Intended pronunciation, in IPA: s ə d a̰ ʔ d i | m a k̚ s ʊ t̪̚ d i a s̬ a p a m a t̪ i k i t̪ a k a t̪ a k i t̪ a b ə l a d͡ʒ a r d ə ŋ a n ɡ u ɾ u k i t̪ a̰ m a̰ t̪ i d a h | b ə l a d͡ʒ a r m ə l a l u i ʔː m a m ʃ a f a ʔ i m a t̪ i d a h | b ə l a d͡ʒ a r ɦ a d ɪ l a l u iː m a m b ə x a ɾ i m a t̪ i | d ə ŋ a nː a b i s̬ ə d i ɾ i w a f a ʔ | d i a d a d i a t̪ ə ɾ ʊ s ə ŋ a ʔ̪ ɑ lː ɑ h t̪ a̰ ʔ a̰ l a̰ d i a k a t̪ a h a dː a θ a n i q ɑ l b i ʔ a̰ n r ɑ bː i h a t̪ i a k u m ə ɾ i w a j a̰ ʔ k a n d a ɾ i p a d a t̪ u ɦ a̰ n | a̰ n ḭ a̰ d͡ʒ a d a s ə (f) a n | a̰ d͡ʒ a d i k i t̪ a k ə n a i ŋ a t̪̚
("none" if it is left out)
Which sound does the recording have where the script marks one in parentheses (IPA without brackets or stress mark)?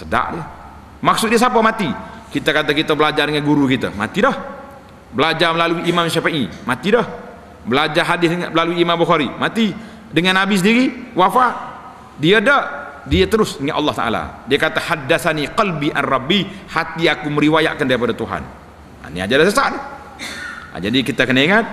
s